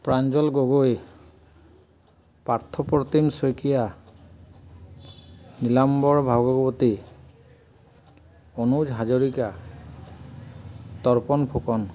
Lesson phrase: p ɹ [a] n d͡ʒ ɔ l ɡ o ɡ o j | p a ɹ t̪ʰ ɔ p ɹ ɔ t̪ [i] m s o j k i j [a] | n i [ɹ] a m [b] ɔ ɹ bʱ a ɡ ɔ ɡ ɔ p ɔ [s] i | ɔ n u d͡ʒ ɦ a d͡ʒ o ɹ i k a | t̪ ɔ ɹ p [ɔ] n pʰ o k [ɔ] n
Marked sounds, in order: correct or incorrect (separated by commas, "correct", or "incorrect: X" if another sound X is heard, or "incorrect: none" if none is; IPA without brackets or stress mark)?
correct, correct, correct, incorrect: l, correct, incorrect: t, correct, correct